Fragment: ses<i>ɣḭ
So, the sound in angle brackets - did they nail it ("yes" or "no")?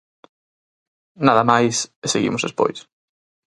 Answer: no